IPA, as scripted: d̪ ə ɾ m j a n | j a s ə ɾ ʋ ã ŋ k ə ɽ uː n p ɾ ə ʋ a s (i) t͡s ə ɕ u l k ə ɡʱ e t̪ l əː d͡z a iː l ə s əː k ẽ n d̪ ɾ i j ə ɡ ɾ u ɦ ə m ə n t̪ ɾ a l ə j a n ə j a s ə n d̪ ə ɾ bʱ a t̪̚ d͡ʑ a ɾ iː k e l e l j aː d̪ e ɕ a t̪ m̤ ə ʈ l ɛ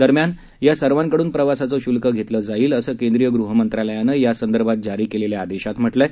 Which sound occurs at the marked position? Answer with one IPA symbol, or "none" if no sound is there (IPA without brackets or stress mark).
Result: a